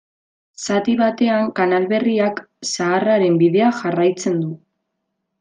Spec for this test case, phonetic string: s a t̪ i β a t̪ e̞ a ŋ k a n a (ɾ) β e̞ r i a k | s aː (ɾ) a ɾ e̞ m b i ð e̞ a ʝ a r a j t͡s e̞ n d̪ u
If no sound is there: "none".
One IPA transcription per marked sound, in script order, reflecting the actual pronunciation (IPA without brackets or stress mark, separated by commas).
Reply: l, r